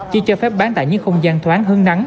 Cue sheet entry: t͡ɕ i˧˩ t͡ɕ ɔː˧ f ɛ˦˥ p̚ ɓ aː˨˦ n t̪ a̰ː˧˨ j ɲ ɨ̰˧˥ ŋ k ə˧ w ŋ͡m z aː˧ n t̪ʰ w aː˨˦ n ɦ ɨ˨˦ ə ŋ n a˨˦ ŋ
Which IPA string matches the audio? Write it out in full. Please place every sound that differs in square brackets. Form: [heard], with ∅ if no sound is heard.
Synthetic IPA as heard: t͡ɕ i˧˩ t͡ɕ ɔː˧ f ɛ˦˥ p̚ ɓ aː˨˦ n t̪ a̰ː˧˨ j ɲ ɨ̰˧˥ ŋ [x] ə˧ w ŋ͡m z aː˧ n t̪ʰ w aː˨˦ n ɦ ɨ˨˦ ə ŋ n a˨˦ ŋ